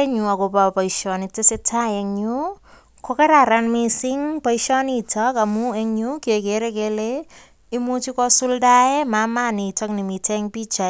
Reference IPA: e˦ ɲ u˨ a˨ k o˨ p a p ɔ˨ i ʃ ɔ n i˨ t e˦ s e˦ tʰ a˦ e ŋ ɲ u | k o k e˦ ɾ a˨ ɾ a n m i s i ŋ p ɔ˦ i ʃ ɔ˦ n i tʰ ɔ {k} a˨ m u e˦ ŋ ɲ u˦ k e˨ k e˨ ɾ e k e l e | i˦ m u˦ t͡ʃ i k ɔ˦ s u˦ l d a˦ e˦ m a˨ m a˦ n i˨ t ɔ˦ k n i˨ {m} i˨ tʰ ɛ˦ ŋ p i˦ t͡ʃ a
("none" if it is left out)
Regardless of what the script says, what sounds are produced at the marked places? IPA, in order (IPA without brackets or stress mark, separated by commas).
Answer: k, m